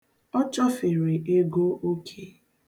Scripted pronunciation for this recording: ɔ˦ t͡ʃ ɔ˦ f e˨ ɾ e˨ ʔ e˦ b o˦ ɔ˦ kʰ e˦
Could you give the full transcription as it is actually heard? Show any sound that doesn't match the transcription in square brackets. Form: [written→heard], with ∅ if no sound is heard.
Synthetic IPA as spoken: ɔ˦ t͡ʃ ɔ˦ f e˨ ɾ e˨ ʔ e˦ [b→ɡ] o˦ [ɔ˦→o˦] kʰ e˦